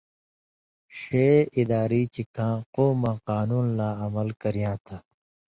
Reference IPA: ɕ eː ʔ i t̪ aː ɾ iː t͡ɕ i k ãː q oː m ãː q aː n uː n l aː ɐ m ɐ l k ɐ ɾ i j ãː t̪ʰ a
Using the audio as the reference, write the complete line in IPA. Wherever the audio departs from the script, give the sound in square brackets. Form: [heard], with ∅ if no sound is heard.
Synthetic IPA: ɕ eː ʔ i [d̪] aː ɾ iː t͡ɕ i k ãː q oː m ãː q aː n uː n l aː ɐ m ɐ l k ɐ ɾ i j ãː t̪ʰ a